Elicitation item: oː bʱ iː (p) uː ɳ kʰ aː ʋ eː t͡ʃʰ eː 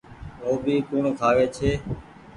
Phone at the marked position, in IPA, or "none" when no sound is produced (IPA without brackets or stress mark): k